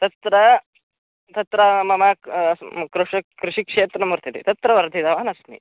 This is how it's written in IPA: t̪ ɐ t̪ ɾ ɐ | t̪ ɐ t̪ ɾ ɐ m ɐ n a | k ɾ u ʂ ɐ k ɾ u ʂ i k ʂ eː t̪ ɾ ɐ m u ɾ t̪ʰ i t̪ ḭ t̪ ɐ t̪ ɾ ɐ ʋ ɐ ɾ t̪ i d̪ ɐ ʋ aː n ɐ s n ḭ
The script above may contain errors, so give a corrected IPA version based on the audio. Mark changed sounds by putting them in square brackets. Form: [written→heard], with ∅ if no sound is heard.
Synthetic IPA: t̪ ɐ t̪ ɾ ɐ | t̪ ɐ t̪ ɾ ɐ m ɐ [n→m] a | k ɾ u ʂ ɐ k ɾ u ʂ i k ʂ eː t̪ ɾ ɐ m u ɾ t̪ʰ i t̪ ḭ t̪ ɐ t̪ ɾ ɐ ʋ ɐ ɾ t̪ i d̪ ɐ ʋ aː n ɐ s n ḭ

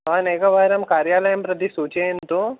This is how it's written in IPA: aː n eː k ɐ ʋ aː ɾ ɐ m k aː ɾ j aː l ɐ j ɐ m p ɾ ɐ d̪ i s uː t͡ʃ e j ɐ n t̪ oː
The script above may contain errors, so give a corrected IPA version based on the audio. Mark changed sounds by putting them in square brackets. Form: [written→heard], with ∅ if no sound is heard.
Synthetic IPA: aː n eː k ɐ ʋ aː ɾ ɐ m k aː ɾ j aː l ɐ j ɐ m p ɾ ɐ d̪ i s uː t͡ʃ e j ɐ n t̪ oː

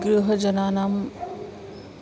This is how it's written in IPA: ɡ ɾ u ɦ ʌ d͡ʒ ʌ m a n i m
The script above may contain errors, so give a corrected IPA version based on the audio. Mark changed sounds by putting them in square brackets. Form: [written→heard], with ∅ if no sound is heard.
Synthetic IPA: ɡ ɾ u ɦ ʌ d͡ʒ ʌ [m→n] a n [i→a] m

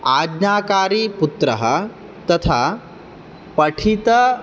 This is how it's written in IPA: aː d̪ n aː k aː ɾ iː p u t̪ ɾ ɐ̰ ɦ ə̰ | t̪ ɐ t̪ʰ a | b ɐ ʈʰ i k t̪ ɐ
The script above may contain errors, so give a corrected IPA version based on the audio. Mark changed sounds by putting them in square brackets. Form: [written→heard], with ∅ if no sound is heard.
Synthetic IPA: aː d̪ n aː k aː ɾ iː p u t̪ ɾ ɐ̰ ɦ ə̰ | t̪ ɐ t̪ʰ a | [b→p] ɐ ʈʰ i [k→∅] t̪ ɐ

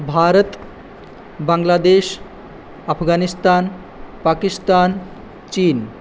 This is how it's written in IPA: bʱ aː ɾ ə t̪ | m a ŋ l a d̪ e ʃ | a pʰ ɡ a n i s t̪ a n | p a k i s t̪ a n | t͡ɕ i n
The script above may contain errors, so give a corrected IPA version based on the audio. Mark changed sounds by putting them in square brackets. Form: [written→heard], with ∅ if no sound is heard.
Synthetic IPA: bʱ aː ɾ ə t̪ | [m→b] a ŋ l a d̪ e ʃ | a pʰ ɡ a n i s t̪ a n | p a k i s t̪ a n | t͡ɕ i n

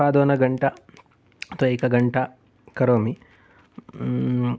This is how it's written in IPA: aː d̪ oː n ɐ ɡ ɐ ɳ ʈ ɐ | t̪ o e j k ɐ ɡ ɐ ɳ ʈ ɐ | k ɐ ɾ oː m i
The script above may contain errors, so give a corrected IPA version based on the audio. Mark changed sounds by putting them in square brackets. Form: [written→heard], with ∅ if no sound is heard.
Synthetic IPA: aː d̪ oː n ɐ ɡ ɐ ɳ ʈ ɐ | t̪ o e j k ɐ ɡ ɐ ɳ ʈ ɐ | k ɐ ɾ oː m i

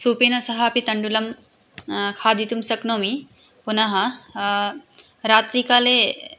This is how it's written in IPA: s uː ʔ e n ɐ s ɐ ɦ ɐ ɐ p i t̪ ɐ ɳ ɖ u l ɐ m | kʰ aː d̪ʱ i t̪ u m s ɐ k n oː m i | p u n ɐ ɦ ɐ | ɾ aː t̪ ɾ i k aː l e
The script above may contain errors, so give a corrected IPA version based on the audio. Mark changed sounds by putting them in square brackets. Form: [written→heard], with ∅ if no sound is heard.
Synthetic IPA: s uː [ʔ→p] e n ɐ s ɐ ɦ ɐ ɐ p i t̪ ɐ ɳ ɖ u l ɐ m | kʰ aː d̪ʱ i t̪ u m s ɐ k n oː m i | p u n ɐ ɦ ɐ | ɾ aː t̪ ɾ i k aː l e

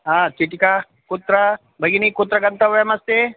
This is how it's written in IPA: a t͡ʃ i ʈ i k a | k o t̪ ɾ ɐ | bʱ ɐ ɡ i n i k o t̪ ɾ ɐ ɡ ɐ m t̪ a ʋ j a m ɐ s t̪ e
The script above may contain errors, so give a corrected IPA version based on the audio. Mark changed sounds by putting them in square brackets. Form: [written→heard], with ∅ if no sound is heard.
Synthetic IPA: a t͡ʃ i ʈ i k a | k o t̪ ɾ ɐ | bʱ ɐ ɡ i n i k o t̪ ɾ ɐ ɡ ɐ [m→n] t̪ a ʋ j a m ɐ s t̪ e

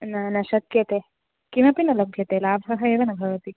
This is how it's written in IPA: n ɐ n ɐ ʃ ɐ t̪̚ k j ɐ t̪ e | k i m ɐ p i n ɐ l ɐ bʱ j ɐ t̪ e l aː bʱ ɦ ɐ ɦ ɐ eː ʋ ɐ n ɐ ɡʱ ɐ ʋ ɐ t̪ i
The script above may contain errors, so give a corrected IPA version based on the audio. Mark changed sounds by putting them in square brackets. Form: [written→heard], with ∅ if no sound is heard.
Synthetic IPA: n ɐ n ɐ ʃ ɐ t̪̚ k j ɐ t̪ e | k i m ɐ p i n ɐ l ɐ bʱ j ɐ t̪ e l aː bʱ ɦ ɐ ɦ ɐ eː ʋ ɐ n ɐ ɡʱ ɐ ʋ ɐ t̪ i

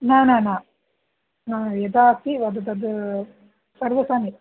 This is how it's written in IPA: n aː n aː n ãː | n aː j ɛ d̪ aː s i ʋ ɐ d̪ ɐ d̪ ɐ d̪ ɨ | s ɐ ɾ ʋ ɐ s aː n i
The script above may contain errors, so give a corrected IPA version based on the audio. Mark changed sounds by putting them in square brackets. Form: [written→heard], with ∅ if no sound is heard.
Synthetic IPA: n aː n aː n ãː | n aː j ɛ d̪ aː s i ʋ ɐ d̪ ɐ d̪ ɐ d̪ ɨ | s ɐ ɾ ʋ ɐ s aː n i

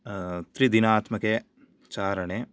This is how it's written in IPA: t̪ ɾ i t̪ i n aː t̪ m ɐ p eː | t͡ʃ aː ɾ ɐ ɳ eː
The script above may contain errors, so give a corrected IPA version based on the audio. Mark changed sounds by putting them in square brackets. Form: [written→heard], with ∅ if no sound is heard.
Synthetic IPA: t̪ ɾ i [t̪→d̪] i n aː t̪ m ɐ [p→k] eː | t͡ʃ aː ɾ ɐ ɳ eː

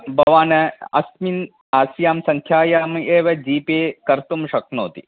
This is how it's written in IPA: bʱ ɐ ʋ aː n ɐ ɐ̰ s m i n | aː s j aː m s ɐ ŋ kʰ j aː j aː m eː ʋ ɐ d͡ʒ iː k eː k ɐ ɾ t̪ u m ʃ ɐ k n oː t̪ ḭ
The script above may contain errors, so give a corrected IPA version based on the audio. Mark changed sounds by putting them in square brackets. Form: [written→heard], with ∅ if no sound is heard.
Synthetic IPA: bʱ ɐ ʋ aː n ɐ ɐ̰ s m i n | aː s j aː m s ɐ ŋ kʰ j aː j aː m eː ʋ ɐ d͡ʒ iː [k→p] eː k ɐ ɾ t̪ u m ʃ ɐ k n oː t̪ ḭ

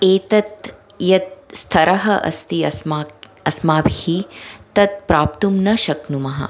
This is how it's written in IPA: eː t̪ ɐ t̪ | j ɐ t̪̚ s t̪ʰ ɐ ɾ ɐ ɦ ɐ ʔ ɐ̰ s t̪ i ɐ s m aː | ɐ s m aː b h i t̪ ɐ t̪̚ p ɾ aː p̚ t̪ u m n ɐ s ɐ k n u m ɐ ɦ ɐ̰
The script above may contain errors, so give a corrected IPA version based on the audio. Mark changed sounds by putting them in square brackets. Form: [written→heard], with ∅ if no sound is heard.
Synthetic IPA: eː t̪ ɐ t̪ | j ɐ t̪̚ s t̪ʰ ɐ ɾ ɐ ɦ ɐ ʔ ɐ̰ s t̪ i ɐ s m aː | ɐ s m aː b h i t̪ ɐ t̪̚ p ɾ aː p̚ t̪ u m n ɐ [s→ʃ] ɐ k n u m ɐ ɦ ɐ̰

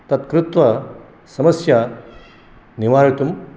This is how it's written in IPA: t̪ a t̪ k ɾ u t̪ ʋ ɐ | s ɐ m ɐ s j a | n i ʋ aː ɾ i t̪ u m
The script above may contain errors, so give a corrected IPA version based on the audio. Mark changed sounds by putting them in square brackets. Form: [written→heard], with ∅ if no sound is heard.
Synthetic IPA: t̪ [a→ɐ] t̪ k ɾ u t̪ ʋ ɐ | s ɐ m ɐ s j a | n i ʋ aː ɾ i t̪ u m

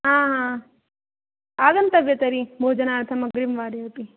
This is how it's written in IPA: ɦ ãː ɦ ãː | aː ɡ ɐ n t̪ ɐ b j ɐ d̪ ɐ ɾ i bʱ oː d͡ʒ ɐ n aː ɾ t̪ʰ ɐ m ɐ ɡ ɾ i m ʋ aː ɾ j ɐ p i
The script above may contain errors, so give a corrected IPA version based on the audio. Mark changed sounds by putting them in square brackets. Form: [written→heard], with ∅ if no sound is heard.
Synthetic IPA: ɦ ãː ɦ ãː | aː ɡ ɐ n t̪ ɐ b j ɐ [d̪→t̪] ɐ ɾ i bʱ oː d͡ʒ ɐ n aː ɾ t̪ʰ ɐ m ɐ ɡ ɾ i m ʋ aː ɾ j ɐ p i

